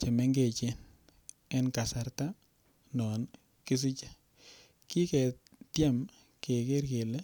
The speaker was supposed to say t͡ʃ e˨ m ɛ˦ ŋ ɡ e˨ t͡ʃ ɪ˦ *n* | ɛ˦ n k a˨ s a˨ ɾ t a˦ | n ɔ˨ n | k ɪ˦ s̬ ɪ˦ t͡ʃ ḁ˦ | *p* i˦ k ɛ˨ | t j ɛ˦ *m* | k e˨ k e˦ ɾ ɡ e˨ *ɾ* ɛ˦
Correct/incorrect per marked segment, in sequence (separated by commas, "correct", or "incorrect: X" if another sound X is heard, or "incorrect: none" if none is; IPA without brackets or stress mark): correct, incorrect: k, correct, incorrect: l